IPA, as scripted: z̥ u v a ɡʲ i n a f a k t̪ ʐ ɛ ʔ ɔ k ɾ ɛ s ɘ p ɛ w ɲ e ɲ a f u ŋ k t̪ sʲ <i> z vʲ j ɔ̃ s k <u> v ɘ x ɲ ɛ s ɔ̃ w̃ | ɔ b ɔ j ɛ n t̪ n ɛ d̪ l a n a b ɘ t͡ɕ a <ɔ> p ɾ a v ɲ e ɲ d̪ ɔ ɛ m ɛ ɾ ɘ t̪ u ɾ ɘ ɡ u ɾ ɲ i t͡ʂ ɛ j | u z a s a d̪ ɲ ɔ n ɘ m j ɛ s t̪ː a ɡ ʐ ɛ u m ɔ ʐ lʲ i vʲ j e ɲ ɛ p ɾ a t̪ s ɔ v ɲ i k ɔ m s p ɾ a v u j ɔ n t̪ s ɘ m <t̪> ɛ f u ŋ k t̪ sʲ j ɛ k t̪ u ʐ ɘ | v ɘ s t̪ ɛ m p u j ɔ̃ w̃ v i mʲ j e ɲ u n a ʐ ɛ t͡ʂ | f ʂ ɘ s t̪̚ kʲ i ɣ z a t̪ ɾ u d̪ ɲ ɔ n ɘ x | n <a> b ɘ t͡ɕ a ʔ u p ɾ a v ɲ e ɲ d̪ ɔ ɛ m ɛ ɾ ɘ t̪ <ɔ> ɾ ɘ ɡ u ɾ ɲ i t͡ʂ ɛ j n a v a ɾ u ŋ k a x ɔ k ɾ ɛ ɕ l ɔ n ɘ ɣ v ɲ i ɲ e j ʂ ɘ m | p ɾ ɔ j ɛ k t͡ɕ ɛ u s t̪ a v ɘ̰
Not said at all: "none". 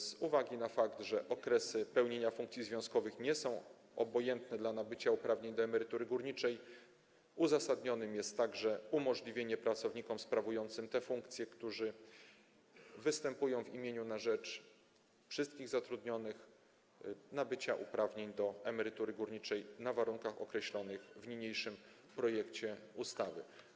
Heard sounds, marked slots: i, ɔ, u, t̪, a, u

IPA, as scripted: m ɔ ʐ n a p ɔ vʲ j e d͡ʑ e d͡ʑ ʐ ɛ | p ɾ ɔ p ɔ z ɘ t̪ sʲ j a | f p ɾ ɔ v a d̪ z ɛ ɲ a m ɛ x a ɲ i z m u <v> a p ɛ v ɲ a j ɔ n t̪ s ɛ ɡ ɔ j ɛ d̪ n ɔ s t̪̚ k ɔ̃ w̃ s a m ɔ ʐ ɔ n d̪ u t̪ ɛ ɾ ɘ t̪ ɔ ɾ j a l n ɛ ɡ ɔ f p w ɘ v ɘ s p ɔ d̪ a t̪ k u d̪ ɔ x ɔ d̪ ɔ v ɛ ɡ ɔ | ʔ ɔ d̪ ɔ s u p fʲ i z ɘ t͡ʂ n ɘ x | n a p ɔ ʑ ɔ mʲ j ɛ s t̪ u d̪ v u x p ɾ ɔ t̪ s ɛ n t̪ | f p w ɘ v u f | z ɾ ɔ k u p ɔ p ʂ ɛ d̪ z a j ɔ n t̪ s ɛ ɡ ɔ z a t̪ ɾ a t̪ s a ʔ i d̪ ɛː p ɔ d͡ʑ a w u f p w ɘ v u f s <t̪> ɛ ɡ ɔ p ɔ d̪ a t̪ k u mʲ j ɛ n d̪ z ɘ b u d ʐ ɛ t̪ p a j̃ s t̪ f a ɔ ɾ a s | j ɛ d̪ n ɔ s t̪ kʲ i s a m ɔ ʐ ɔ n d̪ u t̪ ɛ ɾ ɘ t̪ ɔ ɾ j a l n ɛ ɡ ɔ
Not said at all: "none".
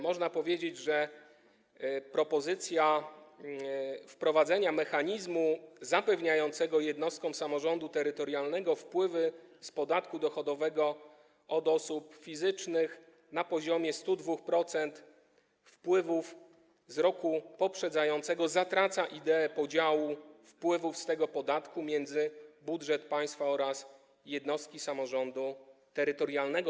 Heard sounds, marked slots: z, t̪

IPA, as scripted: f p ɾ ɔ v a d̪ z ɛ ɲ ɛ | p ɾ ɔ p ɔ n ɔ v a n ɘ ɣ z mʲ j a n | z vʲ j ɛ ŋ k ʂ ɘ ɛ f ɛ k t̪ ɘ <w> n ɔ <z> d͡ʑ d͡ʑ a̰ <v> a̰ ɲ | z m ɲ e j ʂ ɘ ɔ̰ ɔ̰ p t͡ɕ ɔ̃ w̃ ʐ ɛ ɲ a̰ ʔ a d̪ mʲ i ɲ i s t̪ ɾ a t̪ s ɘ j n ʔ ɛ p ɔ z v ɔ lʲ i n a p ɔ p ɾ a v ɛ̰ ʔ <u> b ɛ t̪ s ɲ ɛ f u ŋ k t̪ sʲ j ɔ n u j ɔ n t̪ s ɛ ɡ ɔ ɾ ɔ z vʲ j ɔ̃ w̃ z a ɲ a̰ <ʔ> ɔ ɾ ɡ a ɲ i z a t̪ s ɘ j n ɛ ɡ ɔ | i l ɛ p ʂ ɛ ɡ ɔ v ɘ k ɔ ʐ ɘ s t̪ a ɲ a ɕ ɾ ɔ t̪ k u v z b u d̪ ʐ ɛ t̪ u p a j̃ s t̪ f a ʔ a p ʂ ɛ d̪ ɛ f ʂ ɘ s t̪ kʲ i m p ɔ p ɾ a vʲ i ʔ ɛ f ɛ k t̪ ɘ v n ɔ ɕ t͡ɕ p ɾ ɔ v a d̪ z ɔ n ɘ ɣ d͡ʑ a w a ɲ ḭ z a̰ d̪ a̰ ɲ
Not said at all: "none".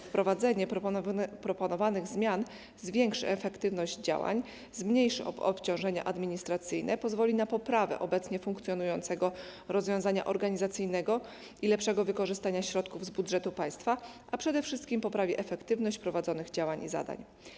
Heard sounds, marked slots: v, ʑ, w, ɔ, ʔ

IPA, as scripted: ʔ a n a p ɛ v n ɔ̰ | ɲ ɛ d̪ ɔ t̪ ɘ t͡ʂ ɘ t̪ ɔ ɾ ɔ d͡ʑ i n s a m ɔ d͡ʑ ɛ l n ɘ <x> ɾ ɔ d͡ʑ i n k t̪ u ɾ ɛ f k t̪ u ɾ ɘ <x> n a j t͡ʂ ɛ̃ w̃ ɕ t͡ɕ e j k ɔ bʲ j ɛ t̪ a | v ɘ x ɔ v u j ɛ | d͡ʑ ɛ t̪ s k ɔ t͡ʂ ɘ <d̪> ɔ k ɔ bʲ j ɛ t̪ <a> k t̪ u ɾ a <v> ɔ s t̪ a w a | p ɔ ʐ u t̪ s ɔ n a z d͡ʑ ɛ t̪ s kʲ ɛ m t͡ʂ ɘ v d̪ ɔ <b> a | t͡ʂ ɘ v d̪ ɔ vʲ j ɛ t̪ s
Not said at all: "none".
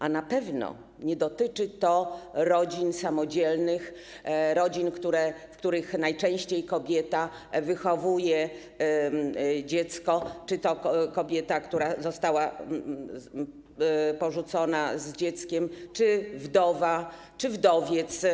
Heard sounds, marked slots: x, x, t̪, a, z, v

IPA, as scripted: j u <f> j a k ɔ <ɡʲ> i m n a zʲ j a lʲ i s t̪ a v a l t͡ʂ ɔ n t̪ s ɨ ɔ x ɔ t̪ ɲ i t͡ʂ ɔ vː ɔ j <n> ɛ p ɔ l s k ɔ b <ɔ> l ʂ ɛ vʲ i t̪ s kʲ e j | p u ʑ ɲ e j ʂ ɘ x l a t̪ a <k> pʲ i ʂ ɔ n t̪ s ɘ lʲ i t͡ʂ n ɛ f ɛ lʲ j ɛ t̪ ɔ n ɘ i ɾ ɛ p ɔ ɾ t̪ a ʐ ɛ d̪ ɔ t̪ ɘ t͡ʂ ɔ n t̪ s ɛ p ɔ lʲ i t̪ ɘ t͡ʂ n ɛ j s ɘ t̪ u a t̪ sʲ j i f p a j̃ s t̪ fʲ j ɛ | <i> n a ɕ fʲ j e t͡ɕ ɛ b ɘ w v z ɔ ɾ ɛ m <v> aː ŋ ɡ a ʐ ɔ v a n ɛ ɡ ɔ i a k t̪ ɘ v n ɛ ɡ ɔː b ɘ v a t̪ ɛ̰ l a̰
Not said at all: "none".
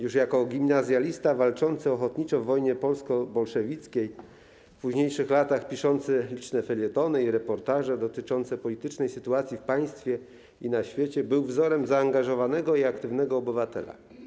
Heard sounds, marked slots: ʂ, ɡʲ, ɲ, ɔ, x, i, z

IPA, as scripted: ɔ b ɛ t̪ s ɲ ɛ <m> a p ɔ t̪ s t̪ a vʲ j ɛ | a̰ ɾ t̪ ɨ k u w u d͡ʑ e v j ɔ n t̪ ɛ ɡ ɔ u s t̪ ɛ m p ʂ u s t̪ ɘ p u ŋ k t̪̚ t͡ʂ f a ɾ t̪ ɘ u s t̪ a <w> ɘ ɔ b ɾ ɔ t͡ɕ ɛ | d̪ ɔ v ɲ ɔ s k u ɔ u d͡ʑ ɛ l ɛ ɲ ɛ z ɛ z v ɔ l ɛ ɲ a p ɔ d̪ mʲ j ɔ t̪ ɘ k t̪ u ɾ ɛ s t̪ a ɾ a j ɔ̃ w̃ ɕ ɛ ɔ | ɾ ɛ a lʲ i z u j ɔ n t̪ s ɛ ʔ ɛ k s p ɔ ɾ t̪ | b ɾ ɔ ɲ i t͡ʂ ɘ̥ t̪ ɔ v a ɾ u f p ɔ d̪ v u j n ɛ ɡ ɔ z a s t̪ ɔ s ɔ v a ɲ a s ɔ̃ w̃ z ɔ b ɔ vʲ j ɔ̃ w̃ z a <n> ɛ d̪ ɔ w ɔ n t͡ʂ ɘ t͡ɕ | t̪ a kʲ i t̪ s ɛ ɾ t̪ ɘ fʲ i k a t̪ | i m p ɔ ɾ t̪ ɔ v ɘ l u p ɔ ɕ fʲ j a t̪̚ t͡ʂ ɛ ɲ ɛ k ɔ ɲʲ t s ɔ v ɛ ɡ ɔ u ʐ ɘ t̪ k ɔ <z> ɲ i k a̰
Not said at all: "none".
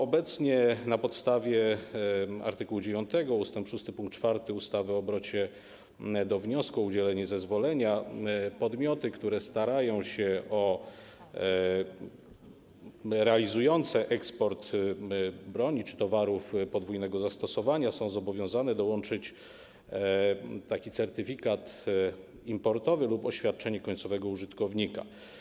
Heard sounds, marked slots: n, v, n, v

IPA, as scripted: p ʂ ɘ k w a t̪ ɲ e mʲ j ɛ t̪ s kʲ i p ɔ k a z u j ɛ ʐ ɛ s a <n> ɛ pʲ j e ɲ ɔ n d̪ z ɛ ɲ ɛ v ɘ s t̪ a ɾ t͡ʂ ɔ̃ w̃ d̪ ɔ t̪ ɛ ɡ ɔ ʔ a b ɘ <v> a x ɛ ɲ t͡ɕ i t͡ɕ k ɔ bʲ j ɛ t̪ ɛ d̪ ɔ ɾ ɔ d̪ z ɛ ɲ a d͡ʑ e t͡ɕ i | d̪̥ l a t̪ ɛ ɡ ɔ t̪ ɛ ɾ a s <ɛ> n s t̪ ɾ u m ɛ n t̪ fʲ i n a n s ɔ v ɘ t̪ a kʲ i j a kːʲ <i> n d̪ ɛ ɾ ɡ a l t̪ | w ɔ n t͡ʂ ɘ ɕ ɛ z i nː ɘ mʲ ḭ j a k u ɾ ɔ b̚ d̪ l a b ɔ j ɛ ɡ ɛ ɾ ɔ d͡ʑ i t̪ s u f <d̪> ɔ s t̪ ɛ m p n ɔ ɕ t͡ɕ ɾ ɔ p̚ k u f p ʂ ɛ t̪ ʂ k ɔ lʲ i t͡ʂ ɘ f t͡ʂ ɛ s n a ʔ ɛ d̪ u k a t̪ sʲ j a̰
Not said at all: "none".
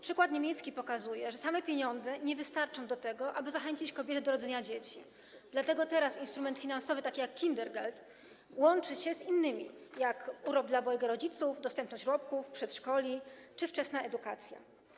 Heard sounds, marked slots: m, z, i, i, d̪

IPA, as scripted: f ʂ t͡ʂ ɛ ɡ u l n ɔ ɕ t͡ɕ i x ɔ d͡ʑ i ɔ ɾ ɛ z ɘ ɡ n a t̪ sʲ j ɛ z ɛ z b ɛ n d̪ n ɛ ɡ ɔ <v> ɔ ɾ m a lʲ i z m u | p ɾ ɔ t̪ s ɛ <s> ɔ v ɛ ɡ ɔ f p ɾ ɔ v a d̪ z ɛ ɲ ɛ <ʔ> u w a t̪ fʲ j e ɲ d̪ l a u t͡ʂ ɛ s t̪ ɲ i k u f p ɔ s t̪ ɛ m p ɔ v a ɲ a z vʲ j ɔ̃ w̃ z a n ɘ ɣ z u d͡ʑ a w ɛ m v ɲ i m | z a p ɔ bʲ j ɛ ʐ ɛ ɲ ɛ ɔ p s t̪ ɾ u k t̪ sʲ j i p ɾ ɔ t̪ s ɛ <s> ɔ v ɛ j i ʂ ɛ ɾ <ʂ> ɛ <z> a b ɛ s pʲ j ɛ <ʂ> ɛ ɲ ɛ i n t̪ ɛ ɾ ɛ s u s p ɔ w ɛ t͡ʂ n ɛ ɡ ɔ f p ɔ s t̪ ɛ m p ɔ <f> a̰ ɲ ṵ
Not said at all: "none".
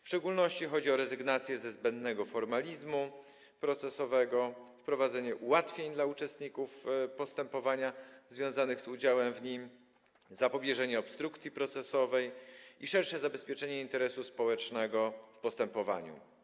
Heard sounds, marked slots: f, s, ʔ, s, ʂ, z, t͡ʂ, v

